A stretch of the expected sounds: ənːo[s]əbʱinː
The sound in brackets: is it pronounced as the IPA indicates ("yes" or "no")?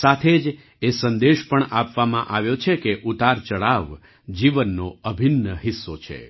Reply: no